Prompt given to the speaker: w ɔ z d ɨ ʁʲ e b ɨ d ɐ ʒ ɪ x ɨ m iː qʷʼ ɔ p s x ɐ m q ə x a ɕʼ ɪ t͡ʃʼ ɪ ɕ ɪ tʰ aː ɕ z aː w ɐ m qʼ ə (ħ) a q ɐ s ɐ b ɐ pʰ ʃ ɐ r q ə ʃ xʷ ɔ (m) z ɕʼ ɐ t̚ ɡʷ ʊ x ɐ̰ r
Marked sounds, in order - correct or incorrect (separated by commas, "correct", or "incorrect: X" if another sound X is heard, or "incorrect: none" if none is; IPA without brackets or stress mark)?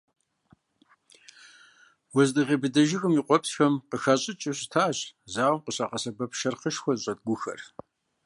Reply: incorrect: ɕ, incorrect: none